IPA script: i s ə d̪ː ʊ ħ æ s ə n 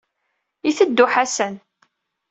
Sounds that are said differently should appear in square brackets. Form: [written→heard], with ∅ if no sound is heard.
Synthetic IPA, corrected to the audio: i [s→θ] ə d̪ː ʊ ħ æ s ə n